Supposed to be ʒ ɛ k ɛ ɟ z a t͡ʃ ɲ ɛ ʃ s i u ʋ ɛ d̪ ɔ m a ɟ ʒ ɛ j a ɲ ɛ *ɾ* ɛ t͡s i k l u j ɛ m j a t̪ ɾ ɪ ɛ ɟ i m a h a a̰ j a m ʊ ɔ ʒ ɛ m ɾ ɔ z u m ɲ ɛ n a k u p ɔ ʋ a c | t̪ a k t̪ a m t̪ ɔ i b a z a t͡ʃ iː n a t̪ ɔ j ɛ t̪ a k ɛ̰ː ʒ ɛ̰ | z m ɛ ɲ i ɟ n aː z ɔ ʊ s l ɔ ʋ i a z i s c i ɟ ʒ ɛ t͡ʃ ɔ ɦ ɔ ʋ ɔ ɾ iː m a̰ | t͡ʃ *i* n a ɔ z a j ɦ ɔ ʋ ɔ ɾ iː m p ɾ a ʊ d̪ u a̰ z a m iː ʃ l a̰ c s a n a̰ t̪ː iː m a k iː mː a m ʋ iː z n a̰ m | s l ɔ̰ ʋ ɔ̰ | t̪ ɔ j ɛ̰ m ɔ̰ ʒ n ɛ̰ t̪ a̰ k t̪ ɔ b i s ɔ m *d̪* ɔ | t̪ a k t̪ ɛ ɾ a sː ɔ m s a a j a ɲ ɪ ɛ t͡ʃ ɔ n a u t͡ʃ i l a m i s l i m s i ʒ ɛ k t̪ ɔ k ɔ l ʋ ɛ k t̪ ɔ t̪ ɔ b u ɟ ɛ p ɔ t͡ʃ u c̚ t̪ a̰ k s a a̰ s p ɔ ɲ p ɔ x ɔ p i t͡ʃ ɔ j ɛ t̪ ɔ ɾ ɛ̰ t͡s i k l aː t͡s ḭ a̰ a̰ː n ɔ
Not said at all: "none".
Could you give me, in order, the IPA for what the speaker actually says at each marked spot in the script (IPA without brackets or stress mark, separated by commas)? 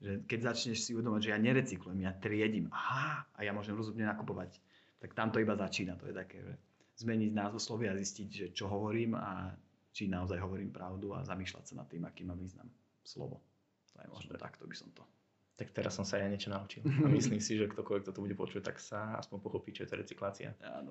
ɾ, i, t̪